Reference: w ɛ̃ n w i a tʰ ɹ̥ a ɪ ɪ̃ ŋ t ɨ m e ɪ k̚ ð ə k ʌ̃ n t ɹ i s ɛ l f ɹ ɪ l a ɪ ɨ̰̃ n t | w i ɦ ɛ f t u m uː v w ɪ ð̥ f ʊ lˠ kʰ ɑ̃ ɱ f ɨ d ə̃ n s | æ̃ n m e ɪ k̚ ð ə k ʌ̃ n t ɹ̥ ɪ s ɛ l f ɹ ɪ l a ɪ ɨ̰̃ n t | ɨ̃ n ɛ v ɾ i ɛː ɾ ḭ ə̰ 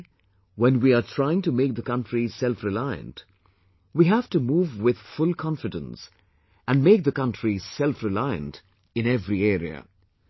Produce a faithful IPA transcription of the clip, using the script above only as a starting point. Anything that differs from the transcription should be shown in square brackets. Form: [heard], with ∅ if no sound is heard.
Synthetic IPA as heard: w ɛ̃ n w i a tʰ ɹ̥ a ɪ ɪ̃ ŋ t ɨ m e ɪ k̚ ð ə k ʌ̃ n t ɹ i s ɛ l f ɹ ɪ l a ɪ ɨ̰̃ n t | w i ɦ [æ] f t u m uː v w ɪ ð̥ f ʊ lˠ kʰ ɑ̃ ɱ f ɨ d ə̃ n s | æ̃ n m e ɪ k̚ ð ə k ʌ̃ n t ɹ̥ [i] s ɛ l f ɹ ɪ l a ɪ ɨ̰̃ n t | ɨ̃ n ɛ v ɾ i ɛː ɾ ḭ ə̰